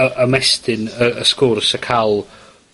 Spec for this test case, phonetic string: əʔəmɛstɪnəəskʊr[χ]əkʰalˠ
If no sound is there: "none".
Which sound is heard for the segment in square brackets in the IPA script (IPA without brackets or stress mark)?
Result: s